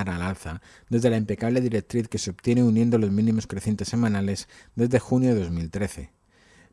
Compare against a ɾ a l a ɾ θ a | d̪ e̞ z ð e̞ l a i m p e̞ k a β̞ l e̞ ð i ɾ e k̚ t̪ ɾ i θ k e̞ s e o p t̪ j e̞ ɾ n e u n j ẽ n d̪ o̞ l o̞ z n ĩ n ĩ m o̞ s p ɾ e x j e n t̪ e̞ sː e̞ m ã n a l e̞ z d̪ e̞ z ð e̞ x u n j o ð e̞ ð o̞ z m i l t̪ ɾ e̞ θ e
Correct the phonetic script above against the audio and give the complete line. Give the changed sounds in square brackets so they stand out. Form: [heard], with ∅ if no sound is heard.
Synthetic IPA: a ɾ a l a [l] θ a | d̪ e̞ z ð e̞ l a i m p e̞ k a β̞ l e̞ ð i ɾ e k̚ t̪ ɾ i θ k e̞ s e o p t̪ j e̞ [∅] n e u n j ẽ n d̪ o̞ l o̞ z [m] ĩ n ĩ m o̞ s [k] ɾ e [θ] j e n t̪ e̞ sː e̞ m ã n a l e̞ z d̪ e̞ z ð e̞ x u n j o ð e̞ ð o̞ z m i l t̪ ɾ e̞ θ e